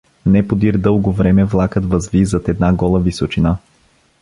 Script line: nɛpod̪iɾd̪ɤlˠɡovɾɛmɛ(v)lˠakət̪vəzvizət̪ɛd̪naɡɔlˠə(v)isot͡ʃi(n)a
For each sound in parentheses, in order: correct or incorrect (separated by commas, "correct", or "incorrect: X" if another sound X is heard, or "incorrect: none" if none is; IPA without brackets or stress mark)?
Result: correct, correct, correct